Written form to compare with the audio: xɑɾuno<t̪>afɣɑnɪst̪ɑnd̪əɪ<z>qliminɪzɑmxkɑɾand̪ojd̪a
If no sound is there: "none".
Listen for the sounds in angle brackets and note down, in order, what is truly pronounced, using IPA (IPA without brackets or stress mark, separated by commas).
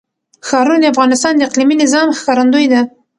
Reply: d̪, none